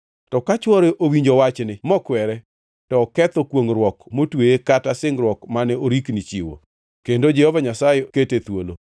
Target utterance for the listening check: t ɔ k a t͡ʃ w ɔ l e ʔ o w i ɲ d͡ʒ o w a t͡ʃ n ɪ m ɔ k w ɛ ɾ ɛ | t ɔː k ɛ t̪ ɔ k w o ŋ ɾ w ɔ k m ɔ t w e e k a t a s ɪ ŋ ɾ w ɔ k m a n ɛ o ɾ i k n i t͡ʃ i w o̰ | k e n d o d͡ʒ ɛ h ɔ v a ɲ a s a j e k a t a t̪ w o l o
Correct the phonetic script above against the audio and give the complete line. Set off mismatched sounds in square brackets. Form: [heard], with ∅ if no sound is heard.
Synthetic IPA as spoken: t ɔ k a t͡ʃ w ɔ [ɾ] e ʔ o w i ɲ d͡ʒ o w a t͡ʃ n ɪ m ɔ k w ɛ ɾ ɛ | t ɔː k ɛ t̪ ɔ k w o ŋ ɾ w ɔ k m [o] t w e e k a t a s ɪ ŋ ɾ w ɔ k m a n ɛ o ɾ i k n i t͡ʃ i w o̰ | k e n d o d͡ʒ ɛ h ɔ v a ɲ a s a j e k [e] t [e] t̪ w o l o